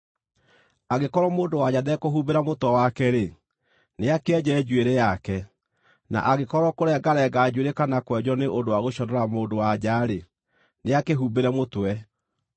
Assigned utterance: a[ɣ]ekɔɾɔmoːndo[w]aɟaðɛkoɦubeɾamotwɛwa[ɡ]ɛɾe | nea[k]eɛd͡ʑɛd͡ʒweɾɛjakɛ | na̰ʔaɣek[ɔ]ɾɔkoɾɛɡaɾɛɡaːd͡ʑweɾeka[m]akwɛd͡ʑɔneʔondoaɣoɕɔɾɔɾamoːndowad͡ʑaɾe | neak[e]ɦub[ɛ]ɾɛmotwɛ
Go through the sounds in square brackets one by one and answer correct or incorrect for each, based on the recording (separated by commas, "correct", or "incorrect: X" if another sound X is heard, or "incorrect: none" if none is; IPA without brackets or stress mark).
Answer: correct, correct, incorrect: k, correct, correct, incorrect: n, correct, incorrect: e